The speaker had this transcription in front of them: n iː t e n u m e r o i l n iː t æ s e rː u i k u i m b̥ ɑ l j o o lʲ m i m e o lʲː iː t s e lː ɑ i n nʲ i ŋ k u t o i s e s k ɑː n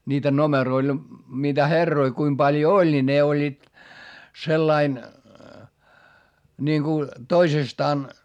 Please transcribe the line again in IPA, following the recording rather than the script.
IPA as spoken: n iː t æ n o m e r o i l n iː t æ h e rː o i k u i m b̥ ɑ l j o o lʲ n i n e o lʲː iː t s e lː ɑ i n nʲ i ŋ k u t o i s e s t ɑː n